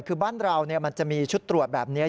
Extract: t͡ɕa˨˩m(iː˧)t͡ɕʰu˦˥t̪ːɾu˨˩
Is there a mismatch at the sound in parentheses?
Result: no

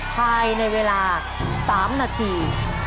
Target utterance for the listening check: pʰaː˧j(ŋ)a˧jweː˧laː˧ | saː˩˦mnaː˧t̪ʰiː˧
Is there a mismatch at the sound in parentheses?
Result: yes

